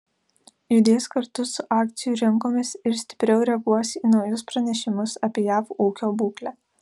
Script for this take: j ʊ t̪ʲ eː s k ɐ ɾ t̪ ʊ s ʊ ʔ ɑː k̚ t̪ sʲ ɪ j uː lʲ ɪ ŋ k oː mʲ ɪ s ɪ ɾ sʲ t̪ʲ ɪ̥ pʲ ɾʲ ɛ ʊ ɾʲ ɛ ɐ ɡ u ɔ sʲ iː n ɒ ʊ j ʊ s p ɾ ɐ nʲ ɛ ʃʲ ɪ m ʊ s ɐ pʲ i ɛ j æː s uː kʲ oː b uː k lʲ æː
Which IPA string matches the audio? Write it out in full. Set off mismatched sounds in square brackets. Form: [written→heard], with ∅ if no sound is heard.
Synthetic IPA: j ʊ [t̪ʲ→d̪ʲ] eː s k ɐ ɾ t̪ ʊ s ʊ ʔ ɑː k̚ t̪ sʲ ɪ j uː [lʲ→ɾʲ] ɪ ŋ k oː mʲ ɪ s ɪ ɾ sʲ t̪ʲ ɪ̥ pʲ ɾʲ ɛ ʊ ɾʲ ɛ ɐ ɡ u ɔ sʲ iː n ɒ ʊ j ʊ s p ɾ ɐ nʲ ɛ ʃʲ ɪ m ʊ s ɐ pʲ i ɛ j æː [s→f] uː kʲ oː b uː k lʲ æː

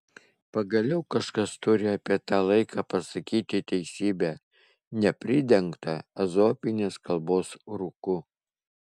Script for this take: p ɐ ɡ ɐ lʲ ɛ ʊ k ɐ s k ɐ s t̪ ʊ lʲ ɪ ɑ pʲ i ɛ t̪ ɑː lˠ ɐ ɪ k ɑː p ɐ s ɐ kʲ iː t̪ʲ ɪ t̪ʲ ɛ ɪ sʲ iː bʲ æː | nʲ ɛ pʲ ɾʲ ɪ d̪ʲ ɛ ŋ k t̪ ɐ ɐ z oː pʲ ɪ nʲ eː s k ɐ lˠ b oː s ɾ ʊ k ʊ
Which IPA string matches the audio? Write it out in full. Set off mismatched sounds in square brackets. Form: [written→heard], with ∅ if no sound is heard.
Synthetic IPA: p ɐ ɡ ɐ lʲ ɛ ʊ k ɐ [s→ʃ] k ɐ s t̪ ʊ [lʲ→ɾʲ] ɪ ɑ pʲ i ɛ t̪ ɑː lˠ ɐ ɪ k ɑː p ɐ s ɐ kʲ iː t̪ʲ ɪ t̪ʲ ɛ ɪ sʲ iː bʲ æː | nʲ ɛ pʲ ɾʲ ɪ d̪ʲ ɛ ŋ k t̪ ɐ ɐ z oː pʲ ɪ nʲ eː s k ɐ lˠ b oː s ɾ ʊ k ʊ

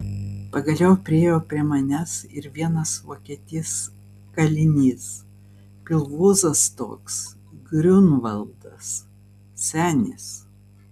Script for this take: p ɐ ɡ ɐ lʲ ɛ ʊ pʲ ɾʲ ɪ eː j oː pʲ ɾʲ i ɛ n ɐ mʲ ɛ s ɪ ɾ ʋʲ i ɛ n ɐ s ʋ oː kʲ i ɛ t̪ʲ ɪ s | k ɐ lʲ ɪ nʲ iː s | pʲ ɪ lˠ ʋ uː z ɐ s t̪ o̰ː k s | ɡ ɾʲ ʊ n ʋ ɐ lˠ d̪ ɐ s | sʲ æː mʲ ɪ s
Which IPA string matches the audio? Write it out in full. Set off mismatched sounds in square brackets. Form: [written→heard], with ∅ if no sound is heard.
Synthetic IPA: p ɐ ɡ ɐ lʲ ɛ ʊ pʲ ɾʲ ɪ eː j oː pʲ ɾʲ i ɛ [n→m] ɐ [mʲ→nʲ] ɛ s ɪ ɾ ʋʲ i ɛ n ɐ s ʋ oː kʲ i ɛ t̪ʲ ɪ s | k ɐ lʲ ɪ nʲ iː s | pʲ ɪ lˠ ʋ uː z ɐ s t̪ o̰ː k s | ɡ ɾʲ ʊ n ʋ ɐ lˠ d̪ ɐ s | sʲ æː [mʲ→nʲ] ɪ s

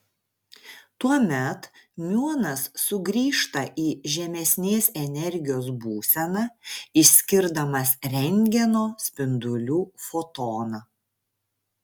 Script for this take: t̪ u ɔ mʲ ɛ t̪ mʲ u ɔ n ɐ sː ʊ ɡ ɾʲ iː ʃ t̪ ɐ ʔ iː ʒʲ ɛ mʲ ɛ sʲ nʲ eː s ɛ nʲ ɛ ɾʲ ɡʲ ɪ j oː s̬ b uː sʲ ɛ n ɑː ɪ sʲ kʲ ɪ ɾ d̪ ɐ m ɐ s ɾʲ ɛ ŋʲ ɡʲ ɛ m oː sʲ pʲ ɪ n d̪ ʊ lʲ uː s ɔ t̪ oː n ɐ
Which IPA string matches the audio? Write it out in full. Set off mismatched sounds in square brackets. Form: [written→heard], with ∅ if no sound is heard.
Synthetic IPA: t̪ u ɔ mʲ ɛ t̪ mʲ u ɔ n ɐ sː ʊ ɡ ɾʲ iː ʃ t̪ ɐ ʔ iː ʒʲ ɛ mʲ ɛ sʲ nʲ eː s ɛ nʲ ɛ ɾʲ ɡʲ ɪ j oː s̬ b uː sʲ ɛ n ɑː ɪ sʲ kʲ ɪ ɾ d̪ ɐ m ɐ s ɾʲ ɛ ŋʲ ɡʲ ɛ [m→n] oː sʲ pʲ ɪ n d̪ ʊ lʲ uː [s→f] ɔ t̪ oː n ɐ

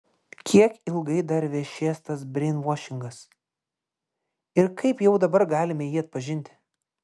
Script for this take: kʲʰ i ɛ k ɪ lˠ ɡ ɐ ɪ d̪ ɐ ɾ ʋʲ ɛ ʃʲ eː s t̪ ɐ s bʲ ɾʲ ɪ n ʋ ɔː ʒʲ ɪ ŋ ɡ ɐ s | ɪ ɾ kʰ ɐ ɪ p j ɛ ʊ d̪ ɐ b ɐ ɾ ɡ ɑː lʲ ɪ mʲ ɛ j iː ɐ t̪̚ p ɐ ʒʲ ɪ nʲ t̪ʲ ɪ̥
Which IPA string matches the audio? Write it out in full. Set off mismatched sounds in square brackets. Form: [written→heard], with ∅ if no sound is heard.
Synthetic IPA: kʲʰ i ɛ k ɪ lˠ ɡ ɐ ɪ d̪ ɐ ɾ ʋʲ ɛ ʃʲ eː s t̪ ɐ s bʲ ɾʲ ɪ n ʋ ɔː [ʒʲ→ʃʲ] ɪ ŋ ɡ ɐ s | ɪ ɾ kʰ ɐ ɪ p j ɛ ʊ d̪ ɐ b ɐ ɾ ɡ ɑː lʲ ɪ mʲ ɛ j iː ɐ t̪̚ p ɐ ʒʲ ɪ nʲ t̪ʲ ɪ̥

